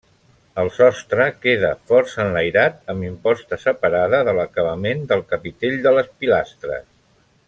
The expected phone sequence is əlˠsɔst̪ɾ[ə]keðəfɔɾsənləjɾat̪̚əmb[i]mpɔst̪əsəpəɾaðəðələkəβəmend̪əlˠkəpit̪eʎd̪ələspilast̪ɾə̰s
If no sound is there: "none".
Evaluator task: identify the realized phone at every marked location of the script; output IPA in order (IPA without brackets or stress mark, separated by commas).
ə, i